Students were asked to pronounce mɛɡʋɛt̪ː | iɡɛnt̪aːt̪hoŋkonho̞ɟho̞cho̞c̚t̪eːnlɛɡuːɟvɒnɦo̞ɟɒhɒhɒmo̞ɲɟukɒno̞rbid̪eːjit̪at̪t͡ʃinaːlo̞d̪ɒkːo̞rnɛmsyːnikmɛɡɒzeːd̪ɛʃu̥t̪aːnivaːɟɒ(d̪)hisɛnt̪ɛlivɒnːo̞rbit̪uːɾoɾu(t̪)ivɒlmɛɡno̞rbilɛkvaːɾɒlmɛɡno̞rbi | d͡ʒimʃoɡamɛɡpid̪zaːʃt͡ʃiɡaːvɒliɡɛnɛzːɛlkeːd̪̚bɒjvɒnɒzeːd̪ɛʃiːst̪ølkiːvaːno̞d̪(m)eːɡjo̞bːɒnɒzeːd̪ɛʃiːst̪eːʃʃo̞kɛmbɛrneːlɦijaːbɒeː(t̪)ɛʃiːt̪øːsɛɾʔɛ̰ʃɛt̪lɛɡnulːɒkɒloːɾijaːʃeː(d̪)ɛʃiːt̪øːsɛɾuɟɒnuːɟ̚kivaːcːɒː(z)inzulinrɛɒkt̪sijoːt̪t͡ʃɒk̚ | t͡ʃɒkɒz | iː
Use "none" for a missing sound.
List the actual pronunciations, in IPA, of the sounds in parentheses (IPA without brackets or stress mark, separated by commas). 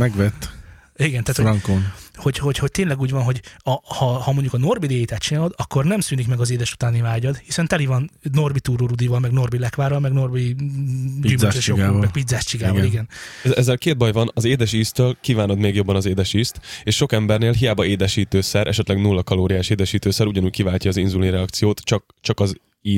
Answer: d̪, d̪, m, d̪, d̪, z